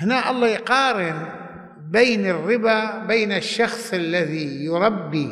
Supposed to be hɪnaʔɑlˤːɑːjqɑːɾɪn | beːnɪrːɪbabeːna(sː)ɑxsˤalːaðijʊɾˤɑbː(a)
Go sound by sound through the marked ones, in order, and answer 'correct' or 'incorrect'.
incorrect, incorrect

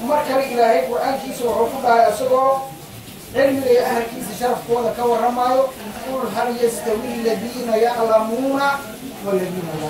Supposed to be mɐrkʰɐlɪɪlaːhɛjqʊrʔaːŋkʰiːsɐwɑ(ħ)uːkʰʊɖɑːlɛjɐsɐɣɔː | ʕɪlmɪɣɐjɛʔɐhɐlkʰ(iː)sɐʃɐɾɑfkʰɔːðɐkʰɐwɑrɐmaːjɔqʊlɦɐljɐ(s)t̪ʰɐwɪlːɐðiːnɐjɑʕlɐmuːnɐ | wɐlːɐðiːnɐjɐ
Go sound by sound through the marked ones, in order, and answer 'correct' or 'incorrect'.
correct, correct, correct

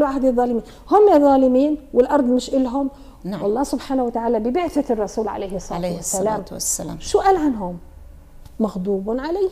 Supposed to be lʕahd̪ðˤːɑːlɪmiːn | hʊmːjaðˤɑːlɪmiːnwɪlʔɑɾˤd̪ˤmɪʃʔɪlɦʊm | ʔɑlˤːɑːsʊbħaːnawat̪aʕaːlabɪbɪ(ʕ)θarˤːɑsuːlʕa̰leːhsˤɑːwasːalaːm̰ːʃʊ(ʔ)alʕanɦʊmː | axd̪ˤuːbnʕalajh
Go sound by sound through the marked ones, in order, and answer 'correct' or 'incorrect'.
correct, correct

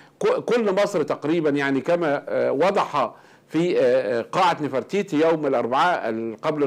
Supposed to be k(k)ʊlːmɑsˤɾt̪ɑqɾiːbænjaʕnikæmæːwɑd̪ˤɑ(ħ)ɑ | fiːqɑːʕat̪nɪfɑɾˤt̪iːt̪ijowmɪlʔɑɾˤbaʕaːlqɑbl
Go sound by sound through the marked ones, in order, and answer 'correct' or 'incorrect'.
correct, correct

